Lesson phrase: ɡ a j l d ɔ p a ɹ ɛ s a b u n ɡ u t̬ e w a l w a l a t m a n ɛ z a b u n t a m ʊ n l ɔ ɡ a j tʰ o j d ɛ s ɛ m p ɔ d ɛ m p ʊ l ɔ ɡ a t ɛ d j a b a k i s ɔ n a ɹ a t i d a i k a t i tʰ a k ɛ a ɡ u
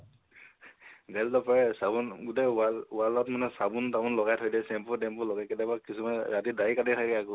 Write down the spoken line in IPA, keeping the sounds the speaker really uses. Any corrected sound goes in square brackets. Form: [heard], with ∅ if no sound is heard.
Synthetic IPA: ɡ a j l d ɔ p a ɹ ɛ s a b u n ɡ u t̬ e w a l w a l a t m a n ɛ [s] a b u n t a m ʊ n l ɔ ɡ a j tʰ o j d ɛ s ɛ m p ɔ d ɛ m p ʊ l ɔ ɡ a [k] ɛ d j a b a k i s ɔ [m] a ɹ a t i d a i k a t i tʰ a k ɛ a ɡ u